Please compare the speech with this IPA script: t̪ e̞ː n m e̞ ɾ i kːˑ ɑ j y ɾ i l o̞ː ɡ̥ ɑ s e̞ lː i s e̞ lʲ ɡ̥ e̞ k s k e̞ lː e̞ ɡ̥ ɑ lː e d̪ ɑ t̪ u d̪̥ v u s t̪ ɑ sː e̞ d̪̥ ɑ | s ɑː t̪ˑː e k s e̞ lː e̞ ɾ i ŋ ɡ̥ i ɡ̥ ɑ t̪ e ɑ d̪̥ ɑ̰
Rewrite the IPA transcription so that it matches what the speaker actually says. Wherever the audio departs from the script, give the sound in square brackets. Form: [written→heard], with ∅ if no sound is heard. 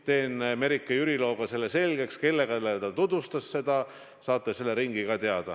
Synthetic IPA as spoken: t̪ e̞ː n m e̞ ɾ i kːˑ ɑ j y ɾ i l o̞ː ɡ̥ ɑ s e̞ lː [i→e] s e̞ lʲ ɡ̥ e̞ k s k e̞ lː e̞ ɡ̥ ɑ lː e [d̪→t̪] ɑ t̪ u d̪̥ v u s t̪ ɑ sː e̞ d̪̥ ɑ | s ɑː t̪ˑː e [k→∅] s e̞ lː e̞ ɾ i ŋ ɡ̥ i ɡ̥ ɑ t̪ e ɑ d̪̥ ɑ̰